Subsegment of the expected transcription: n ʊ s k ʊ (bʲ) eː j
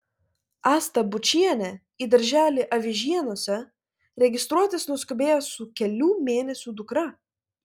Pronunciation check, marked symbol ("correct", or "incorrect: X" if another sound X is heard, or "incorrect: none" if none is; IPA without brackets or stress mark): correct